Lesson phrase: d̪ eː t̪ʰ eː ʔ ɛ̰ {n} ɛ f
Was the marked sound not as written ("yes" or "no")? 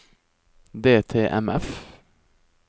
yes